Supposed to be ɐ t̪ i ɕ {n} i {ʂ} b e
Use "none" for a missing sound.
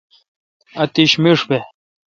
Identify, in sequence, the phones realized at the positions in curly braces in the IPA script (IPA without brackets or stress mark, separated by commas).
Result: m, ʂ